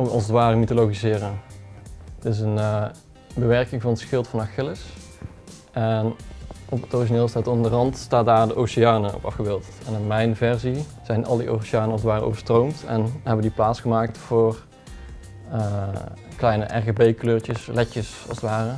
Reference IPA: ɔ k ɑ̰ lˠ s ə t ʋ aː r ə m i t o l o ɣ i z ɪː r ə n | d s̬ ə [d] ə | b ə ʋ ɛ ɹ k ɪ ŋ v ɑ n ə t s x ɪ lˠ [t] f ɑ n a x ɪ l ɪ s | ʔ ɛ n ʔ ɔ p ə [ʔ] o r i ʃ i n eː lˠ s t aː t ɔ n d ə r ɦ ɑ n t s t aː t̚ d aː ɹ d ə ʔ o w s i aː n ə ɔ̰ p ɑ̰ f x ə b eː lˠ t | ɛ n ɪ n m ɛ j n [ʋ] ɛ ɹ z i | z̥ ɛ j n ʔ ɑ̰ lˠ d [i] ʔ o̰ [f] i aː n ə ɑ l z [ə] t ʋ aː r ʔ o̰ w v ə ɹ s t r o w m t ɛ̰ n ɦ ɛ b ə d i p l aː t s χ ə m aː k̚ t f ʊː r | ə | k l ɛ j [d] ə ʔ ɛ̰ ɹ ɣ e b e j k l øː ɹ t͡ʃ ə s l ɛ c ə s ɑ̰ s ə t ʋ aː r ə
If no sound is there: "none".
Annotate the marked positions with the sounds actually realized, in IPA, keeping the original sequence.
n, t, t, v, i, s, ə, n

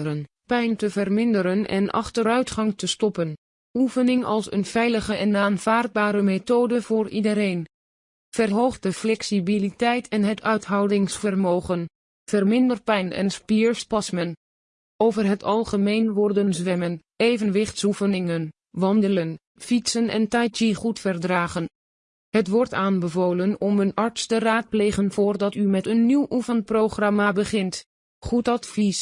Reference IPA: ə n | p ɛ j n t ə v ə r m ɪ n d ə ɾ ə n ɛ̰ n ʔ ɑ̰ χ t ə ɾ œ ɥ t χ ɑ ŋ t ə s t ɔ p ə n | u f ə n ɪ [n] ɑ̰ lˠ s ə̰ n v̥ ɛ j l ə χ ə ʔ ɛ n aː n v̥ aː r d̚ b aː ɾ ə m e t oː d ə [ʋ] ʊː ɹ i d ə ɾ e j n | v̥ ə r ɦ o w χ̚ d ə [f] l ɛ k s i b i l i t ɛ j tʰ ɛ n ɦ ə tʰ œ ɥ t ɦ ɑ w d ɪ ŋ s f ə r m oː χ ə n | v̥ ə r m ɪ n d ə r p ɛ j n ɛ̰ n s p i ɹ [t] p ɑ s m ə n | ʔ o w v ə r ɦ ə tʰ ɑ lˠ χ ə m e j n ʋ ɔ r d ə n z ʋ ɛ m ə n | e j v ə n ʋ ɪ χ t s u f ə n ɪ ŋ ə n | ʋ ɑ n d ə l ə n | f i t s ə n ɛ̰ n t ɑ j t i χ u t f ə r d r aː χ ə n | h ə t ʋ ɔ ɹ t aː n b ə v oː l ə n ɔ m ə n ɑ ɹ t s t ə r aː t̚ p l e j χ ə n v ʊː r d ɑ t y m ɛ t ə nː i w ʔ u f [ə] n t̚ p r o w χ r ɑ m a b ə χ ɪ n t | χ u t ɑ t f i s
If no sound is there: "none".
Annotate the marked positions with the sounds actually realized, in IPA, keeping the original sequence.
ŋ, v, f, s, ə

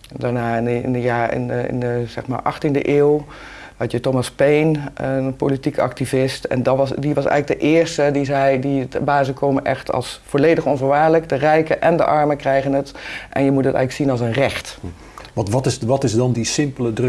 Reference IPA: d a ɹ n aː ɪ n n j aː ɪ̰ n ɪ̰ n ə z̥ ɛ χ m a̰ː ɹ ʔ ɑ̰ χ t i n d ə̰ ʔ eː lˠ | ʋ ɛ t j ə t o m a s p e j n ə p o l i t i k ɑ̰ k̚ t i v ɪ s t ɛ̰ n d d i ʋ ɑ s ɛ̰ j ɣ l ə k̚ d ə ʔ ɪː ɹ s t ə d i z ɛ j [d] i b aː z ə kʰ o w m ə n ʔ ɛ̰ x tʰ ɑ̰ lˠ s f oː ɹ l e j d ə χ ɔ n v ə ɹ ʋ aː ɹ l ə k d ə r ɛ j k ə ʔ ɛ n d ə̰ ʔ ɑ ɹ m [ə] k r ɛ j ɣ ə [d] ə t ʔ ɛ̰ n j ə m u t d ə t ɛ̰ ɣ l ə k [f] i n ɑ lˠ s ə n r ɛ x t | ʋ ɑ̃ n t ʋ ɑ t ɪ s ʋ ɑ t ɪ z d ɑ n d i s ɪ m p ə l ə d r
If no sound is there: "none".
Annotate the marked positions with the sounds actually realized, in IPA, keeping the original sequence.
d, ə, n, s

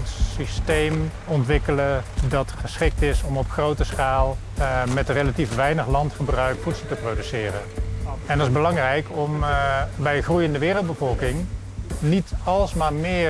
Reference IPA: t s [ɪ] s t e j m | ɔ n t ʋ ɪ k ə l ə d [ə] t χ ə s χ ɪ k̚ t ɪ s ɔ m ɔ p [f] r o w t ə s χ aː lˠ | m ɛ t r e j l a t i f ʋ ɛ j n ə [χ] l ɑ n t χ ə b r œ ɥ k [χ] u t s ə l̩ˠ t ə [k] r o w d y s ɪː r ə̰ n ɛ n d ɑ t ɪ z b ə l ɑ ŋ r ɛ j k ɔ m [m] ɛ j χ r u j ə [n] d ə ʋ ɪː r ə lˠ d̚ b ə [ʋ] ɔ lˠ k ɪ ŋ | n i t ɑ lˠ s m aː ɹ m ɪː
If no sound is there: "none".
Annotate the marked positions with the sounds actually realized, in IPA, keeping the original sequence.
i, ɑ, χ, χ, f, p, b, n, v

